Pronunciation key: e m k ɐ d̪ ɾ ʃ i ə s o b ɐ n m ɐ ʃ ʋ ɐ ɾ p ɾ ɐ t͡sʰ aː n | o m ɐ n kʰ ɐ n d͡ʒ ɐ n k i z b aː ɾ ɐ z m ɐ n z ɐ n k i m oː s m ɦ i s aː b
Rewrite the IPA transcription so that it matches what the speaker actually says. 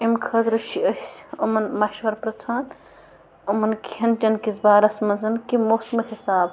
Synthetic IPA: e m kʰ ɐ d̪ ɾ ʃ i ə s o m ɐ n m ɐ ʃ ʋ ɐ ɾ p ɾ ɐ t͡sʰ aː n | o m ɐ n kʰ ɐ n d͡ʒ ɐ n k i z b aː ɾ ɐ s m ɐ n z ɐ n k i m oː s m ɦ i s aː b

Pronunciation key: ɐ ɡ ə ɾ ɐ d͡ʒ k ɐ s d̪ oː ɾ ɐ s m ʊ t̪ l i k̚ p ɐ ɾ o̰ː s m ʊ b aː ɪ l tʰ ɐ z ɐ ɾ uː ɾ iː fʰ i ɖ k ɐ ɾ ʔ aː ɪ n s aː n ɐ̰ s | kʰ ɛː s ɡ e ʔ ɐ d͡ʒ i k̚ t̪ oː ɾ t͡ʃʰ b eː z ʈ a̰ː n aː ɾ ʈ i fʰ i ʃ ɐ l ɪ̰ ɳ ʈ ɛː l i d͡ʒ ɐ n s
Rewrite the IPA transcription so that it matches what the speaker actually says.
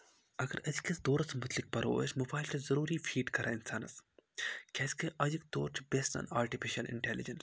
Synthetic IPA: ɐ ɡ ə ɾ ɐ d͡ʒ k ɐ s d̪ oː ɾ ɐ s m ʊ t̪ l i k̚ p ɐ ɾ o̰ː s m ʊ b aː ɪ l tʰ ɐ z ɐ ɾ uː ɾ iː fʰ iː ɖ k ɐ ɾ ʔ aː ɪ n s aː n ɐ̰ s | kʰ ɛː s k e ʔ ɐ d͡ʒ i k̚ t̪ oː ɾ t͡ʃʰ b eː s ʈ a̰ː n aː ɾ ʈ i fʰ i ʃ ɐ l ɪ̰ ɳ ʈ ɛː l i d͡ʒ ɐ n s

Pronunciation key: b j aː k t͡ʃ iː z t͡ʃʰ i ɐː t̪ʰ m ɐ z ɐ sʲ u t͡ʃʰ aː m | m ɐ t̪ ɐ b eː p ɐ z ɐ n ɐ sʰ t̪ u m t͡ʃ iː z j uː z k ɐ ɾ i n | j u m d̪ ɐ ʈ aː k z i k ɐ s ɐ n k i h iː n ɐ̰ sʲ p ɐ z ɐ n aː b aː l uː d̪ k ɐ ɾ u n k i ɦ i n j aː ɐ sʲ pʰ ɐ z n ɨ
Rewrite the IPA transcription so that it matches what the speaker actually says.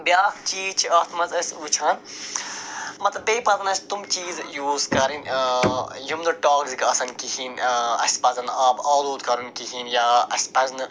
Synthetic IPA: b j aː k t͡ʃ iː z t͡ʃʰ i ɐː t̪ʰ m ɐ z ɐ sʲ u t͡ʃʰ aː n | m ɐ t̪ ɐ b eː p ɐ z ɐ n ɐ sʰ t̪ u m t͡ʃ iː z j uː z k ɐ ɾ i n | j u m d̪ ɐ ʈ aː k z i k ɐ s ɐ n k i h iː n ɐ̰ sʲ p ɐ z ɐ n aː b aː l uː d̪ k ɐ ɾ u n k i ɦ i n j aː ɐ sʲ p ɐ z n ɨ

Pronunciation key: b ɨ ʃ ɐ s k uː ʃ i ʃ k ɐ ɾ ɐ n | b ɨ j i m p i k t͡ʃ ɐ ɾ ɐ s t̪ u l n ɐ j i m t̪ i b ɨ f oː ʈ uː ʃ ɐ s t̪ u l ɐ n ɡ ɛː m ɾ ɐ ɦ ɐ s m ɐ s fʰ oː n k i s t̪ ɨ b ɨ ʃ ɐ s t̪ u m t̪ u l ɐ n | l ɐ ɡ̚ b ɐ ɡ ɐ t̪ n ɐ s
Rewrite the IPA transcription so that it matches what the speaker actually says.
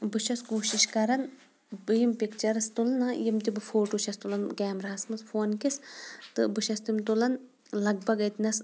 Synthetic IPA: b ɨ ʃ ɐ s k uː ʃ i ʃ k ɐ ɾ ɐ n | b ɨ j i m p i k t͡ʃ ɐ ɾ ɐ s t̪ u l n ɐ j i m t̪ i b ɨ f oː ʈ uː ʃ ɐ s t̪ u l ɐ n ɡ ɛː m ɾ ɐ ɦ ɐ s m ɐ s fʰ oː n k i s t̪ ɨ b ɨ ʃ ɐ s t̪ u m t̪ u l ɐ n | l ɐ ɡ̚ b ɐ ɡ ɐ t̪ n ɐ s

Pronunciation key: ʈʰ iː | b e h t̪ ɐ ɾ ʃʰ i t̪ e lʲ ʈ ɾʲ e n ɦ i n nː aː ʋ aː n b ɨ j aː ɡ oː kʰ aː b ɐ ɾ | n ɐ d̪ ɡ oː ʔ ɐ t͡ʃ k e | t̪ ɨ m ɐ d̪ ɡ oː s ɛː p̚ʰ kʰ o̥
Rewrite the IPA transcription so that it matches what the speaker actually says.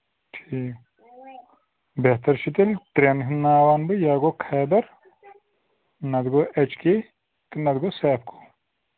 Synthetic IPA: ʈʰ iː | b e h t̪ ɐ ɾ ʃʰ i t̪ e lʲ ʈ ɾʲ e n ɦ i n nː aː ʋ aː n b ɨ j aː ɡ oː kʰ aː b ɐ ɾ | n ɐ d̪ ɡ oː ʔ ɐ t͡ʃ k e | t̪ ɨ n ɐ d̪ ɡ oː s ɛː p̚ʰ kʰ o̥

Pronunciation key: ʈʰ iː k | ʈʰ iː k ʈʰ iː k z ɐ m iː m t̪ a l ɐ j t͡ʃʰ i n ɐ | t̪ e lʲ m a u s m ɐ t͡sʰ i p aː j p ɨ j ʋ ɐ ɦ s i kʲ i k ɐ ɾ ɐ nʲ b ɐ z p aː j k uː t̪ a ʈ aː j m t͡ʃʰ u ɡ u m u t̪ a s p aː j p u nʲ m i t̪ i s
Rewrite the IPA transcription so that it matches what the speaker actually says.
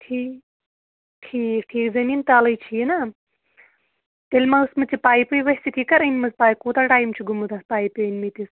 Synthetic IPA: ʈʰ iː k | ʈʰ iː k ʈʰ iː k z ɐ m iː n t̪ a l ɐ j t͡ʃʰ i n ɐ | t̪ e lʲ m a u s m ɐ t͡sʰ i p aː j p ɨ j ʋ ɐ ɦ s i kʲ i k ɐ ɾ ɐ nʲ m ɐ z p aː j k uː t̪ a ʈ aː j m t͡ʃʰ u ɡ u m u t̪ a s p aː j p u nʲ m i t̪ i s

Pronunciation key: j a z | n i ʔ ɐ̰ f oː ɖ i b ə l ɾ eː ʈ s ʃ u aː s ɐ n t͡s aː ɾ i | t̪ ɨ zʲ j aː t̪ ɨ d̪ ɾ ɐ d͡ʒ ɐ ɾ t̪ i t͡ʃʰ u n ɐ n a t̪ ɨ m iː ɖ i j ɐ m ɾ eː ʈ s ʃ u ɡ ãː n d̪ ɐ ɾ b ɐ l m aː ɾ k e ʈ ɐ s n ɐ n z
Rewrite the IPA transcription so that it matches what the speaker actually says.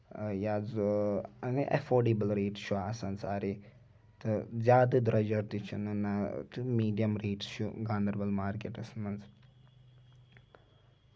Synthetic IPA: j a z | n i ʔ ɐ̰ f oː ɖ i b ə l ɾ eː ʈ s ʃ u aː s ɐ n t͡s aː ɾ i | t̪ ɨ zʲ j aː d̪ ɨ d̪ ɾ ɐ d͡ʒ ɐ ɾ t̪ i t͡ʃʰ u n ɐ n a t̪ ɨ m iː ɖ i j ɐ m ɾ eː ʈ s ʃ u ɡ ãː n d̪ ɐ ɾ b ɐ l m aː ɾ k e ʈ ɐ s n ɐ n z

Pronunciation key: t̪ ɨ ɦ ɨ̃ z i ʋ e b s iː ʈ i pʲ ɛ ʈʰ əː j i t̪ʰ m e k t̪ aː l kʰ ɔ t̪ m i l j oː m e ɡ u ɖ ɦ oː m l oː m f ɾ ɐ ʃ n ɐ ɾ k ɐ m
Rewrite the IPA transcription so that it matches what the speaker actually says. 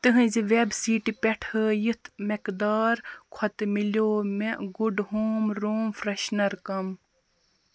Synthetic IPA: t̪ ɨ ɦ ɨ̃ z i ʋ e b s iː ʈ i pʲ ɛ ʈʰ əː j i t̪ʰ m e k d̪ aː ɾ kʰ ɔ t̪ m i l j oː m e ɡ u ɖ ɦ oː m ɾ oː m f ɾ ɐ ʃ n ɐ ɾ k ɐ m

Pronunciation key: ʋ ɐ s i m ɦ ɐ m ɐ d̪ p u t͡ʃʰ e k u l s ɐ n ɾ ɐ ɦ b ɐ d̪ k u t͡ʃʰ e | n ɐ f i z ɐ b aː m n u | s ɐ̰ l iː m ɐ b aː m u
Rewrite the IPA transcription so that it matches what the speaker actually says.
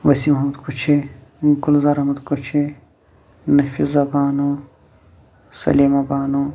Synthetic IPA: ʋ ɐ s i m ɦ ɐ m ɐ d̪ k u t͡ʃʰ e ɡ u l z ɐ ɾ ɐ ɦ m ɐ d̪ k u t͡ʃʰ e | n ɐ f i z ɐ b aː n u | s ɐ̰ l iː m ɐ b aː n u

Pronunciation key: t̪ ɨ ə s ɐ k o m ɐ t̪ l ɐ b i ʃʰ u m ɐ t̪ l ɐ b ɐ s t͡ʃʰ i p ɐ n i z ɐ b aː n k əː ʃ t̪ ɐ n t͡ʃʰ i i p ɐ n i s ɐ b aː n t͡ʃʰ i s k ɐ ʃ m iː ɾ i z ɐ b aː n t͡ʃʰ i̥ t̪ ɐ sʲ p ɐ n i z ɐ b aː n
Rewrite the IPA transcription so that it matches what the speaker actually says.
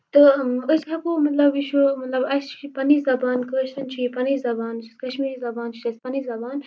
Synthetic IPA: t̪ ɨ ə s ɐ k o m ɐ t̪ l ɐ b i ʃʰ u m ɐ t̪ l ɐ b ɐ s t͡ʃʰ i p ɐ n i z ɐ b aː n k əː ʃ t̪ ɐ n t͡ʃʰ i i p ɐ n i z ɐ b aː n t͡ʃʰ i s k ɐ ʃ m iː ɾ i z ɐ b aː n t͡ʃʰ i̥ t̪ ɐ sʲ p ɐ n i z ɐ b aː n

